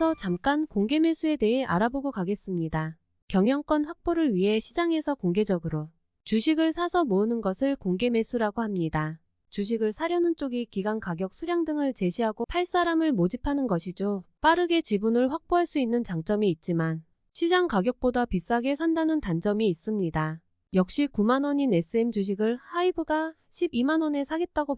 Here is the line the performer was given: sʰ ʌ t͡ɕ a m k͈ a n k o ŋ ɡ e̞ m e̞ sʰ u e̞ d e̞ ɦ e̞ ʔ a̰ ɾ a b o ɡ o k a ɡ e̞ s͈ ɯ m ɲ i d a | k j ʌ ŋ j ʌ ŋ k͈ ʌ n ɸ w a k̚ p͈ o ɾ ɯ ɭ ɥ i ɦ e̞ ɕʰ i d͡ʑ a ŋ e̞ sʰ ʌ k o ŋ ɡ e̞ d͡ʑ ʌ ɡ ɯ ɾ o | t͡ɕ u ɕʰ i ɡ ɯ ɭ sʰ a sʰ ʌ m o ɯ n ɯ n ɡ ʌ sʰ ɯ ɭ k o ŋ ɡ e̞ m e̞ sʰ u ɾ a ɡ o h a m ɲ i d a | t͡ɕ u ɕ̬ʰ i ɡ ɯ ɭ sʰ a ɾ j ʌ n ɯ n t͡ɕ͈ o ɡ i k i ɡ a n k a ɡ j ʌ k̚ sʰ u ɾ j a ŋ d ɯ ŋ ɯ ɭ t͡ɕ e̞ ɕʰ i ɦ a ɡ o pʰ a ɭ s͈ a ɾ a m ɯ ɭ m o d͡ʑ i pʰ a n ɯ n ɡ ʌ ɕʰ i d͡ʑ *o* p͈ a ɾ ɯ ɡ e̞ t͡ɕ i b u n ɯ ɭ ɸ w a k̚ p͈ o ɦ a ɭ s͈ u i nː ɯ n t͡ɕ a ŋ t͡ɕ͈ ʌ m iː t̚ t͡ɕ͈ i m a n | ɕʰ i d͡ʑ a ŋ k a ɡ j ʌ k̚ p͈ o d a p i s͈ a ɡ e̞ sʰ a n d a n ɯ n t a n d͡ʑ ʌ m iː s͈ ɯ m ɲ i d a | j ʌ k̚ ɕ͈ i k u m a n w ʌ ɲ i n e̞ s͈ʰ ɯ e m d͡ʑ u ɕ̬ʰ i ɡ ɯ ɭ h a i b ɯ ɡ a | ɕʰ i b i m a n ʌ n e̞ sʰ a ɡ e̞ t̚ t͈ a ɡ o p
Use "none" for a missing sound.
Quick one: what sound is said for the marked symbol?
o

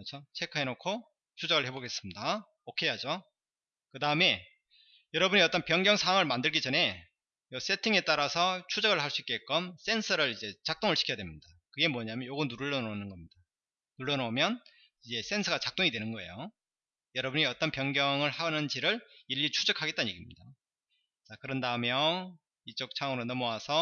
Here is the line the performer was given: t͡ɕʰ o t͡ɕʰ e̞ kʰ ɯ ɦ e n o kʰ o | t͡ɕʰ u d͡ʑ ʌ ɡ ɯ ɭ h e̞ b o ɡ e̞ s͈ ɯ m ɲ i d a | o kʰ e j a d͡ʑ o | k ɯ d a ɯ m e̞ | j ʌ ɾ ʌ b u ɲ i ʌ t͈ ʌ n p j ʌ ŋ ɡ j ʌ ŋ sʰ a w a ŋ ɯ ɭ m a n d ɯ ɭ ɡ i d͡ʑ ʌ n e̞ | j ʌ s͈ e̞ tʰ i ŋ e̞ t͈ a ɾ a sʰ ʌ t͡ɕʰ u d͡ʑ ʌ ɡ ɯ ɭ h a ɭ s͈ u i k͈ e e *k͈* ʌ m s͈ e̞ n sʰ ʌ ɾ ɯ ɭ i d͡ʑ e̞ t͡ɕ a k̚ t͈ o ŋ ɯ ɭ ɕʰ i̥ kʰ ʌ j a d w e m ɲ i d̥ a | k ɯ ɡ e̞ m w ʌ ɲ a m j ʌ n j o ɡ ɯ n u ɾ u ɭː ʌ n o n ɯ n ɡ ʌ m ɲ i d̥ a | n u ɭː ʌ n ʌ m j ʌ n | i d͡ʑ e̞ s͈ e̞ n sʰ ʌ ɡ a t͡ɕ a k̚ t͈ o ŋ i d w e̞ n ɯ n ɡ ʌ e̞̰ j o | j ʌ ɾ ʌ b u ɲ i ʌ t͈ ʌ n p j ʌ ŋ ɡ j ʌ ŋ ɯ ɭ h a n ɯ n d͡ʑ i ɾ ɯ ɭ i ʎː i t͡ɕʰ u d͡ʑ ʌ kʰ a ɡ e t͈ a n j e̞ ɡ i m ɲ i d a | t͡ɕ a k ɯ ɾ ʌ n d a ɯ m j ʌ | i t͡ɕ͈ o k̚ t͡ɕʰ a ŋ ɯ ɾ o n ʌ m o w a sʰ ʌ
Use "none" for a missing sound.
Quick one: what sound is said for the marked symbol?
k͈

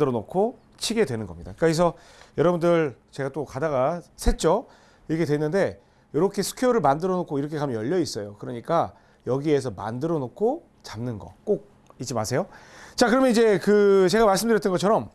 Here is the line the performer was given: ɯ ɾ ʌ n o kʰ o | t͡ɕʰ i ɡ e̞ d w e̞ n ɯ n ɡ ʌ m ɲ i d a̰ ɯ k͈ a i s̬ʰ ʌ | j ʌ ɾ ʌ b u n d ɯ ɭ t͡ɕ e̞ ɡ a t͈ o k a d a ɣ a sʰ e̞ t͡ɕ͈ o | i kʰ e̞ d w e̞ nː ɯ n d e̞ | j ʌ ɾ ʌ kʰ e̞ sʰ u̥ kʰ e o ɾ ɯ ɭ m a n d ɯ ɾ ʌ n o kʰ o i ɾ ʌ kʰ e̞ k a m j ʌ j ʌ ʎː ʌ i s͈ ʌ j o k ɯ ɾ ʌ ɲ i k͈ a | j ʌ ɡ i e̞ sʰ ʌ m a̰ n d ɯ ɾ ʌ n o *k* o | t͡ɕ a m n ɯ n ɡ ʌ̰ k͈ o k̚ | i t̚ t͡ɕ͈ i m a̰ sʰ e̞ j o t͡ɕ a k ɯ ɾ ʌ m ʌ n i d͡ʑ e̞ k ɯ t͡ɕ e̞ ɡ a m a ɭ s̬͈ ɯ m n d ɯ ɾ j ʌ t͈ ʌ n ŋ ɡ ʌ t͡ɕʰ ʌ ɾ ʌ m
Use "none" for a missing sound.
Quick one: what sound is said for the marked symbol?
kʰ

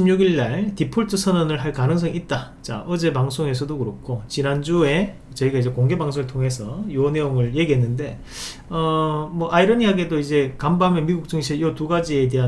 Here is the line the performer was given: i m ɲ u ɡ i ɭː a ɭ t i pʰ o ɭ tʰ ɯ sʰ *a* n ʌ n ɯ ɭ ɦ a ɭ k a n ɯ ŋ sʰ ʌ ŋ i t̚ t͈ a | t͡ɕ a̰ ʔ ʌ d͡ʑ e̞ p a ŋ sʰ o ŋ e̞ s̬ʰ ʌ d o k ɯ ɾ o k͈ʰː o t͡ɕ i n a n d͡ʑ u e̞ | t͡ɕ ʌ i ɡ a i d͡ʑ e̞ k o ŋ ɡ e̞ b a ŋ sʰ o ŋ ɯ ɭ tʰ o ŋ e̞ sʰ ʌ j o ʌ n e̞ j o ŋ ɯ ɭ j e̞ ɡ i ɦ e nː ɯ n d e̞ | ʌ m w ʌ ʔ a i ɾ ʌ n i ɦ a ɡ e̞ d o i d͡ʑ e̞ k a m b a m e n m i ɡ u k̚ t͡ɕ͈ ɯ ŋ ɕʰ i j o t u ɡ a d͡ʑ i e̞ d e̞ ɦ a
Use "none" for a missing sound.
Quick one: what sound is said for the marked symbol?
ʌ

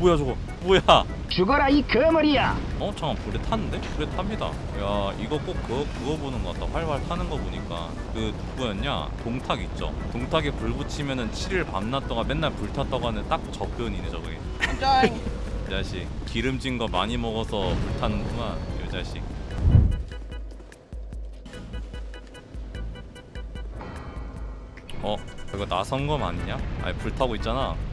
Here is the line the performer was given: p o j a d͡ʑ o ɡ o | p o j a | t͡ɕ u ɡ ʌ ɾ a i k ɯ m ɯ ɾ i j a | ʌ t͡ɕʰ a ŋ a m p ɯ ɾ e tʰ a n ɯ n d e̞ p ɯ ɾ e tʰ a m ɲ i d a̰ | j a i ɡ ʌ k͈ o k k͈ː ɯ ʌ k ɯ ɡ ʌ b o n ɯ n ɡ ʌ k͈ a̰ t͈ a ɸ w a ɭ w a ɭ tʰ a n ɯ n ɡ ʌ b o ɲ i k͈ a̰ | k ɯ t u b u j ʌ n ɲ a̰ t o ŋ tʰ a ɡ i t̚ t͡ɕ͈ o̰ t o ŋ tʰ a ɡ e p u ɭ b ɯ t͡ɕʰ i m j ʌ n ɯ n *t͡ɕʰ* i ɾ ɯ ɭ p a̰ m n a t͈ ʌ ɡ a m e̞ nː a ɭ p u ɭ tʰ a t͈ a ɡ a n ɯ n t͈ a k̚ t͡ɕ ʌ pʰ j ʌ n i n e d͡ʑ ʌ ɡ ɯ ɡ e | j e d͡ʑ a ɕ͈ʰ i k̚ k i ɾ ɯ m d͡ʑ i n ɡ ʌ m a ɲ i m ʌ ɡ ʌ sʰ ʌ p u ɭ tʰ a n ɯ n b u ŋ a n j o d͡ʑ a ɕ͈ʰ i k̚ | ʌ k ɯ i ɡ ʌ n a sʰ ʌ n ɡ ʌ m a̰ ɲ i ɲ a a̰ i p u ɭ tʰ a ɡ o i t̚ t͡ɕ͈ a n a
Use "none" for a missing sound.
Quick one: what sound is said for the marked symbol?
t͡ɕʰ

